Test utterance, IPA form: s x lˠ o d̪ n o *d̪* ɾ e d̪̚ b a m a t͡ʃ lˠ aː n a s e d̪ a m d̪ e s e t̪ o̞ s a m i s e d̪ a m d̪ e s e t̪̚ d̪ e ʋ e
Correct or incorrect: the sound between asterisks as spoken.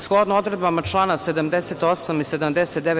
correct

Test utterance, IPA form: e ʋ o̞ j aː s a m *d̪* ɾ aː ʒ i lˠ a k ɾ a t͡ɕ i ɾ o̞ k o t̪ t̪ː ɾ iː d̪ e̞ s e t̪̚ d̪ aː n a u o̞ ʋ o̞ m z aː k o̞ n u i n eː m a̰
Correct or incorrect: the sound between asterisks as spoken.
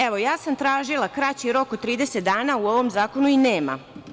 incorrect: t̪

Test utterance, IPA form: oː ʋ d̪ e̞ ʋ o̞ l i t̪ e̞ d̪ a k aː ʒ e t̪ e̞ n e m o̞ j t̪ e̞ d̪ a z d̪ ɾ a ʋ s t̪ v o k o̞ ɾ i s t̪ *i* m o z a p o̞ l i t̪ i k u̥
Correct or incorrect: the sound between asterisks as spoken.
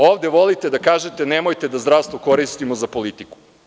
correct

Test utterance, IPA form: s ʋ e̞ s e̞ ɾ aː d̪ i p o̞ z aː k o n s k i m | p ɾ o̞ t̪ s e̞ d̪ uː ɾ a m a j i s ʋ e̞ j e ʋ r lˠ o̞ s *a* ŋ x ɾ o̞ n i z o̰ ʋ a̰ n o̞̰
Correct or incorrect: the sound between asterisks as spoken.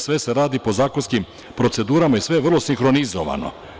incorrect: i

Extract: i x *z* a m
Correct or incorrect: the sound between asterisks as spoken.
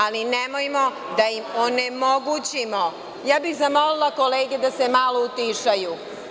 correct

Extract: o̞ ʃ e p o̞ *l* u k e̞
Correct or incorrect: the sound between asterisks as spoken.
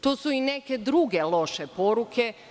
incorrect: ɾ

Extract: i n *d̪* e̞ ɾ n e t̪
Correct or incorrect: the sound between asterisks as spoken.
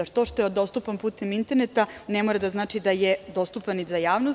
incorrect: t̪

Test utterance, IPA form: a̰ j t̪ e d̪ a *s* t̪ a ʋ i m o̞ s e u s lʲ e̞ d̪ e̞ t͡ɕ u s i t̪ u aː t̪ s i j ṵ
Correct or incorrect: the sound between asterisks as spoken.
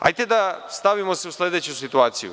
correct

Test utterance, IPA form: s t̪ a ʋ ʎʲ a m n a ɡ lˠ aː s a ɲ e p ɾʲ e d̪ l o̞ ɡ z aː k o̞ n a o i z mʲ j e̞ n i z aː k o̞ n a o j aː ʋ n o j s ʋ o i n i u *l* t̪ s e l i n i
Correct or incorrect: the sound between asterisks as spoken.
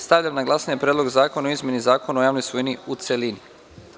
incorrect: none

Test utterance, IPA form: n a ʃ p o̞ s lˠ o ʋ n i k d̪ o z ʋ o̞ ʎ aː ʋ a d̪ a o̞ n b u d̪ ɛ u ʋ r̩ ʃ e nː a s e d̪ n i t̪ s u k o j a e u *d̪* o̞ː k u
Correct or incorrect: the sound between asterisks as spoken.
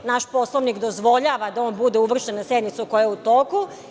incorrect: t̪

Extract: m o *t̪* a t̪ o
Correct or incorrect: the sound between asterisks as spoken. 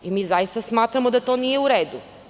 incorrect: d̪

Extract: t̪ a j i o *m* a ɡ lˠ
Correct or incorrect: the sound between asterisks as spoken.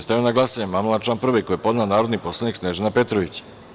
incorrect: n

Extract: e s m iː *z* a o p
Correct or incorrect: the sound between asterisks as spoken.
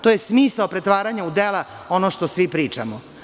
incorrect: s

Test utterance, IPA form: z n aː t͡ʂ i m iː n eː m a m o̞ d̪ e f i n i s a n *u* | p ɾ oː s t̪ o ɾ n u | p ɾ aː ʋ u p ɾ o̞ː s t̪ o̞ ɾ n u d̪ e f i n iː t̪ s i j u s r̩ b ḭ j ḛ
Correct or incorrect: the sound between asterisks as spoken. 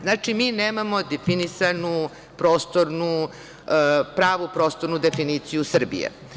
correct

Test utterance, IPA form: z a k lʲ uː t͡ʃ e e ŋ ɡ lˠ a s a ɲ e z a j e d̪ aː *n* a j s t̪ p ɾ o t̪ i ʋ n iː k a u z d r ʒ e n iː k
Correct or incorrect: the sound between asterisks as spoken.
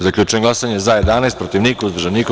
correct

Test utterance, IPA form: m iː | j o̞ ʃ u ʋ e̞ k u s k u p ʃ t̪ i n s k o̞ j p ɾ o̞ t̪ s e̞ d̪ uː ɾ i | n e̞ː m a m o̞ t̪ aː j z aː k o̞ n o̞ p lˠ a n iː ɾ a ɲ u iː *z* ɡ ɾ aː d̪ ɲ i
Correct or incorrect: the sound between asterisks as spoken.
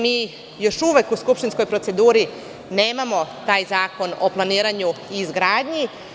correct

